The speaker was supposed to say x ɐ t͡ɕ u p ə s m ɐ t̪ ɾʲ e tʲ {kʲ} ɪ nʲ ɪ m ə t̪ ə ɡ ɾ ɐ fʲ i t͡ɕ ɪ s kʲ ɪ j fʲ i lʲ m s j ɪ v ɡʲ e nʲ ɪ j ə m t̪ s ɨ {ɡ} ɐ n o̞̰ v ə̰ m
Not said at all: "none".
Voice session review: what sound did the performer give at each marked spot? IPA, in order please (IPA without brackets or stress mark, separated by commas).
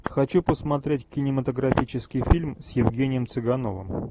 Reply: kʲ, ɡ